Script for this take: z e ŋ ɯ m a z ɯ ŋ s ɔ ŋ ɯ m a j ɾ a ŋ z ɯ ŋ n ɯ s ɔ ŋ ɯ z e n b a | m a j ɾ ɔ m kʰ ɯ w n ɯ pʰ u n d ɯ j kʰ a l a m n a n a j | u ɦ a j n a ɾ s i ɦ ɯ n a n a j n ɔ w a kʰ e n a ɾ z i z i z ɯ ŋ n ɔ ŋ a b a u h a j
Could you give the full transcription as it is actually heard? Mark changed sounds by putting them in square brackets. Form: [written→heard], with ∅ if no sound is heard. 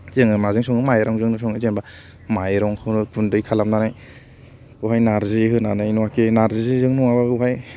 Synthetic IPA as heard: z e ŋ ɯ m a z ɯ ŋ s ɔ ŋ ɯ m a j ɾ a ŋ z ɯ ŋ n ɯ s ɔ ŋ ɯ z e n b a | m a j ɾ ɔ [m→ŋ] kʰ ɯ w n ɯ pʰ u n d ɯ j kʰ a l a m n a n a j | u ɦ a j n a ɾ [s→z] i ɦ ɯ n a n a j n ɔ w a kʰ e n a ɾ z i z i z ɯ ŋ n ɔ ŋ a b a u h a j